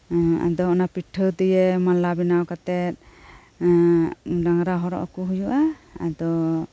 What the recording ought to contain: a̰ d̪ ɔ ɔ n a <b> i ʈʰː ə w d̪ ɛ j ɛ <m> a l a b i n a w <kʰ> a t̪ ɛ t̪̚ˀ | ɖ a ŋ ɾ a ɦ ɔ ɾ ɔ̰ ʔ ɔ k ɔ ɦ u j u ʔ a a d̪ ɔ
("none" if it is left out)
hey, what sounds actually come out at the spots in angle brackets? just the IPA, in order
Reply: p, m, k

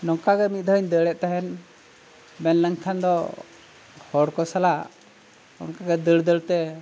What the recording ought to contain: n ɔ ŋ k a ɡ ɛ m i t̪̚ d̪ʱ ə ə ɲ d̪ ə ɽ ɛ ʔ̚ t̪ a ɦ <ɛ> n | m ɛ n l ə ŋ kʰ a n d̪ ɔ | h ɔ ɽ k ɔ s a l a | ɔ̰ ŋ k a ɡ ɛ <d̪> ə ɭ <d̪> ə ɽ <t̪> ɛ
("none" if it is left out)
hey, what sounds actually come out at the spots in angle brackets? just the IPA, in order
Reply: ɛ, d̪, d̪, t̪

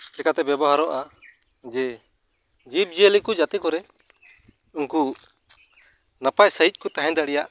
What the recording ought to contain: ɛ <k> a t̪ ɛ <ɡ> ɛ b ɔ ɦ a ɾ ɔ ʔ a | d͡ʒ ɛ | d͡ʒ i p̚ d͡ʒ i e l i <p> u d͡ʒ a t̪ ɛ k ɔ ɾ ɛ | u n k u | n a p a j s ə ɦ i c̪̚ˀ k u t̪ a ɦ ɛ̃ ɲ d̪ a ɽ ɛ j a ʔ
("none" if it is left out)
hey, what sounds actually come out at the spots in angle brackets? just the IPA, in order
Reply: k, b, k

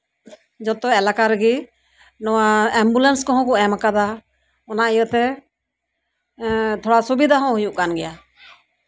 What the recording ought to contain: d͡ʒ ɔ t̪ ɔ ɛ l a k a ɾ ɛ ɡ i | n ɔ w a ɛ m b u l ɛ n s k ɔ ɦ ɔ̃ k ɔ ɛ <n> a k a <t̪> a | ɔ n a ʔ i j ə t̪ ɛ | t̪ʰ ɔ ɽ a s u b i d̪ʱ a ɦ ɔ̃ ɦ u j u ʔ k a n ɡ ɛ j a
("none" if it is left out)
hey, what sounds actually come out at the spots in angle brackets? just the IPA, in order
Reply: m, d̪

